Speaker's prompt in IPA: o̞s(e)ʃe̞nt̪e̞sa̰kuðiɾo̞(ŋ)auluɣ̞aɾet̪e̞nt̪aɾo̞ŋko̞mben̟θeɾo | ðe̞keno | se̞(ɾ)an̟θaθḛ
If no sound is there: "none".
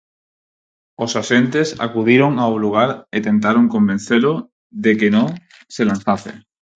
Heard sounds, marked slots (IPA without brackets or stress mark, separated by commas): a, ŋ, l